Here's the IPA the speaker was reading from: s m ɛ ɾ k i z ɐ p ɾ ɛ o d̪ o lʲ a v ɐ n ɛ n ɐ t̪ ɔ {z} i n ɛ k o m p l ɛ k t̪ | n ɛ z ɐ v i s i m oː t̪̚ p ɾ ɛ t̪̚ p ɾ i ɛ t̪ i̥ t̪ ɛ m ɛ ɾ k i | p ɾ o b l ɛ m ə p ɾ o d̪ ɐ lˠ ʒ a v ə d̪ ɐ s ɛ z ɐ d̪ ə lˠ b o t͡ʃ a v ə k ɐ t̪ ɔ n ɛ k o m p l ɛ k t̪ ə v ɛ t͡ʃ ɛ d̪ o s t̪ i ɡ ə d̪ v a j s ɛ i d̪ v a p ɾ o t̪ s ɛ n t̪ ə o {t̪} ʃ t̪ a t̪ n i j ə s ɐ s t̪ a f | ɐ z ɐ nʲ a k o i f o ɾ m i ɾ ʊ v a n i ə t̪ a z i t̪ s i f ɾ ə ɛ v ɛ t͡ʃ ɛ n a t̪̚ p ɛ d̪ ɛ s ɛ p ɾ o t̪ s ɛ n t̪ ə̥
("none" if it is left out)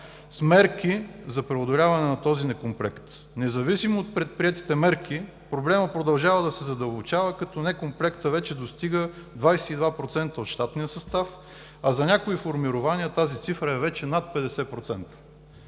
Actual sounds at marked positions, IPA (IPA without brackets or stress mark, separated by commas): z, t̪